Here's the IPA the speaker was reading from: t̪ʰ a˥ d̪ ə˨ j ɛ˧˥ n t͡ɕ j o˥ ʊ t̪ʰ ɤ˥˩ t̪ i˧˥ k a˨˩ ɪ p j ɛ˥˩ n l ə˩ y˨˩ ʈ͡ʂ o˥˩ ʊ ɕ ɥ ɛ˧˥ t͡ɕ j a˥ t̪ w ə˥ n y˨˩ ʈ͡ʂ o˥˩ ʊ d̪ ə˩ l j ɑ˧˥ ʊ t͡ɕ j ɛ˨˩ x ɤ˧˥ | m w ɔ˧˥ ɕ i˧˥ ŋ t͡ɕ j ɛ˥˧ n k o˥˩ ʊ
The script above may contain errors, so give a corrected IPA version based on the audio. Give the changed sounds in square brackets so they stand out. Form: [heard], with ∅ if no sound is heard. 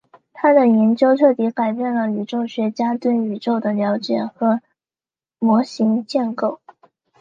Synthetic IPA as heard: t̪ʰ a˥ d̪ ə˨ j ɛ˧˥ n t͡ɕ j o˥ ʊ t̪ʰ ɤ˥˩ t̪ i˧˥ k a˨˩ ɪ p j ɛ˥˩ n l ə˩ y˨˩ ʈ͡ʂ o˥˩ ʊ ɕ ɥ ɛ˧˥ t͡ɕ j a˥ t̪ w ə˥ n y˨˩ ʈ͡ʂ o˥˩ ʊ d̪ ə˩ l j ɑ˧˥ ʊ t͡ɕ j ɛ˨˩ x ɤ˧˥ | m w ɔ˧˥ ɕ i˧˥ ŋ t͡ɕ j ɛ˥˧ n k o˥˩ ʊ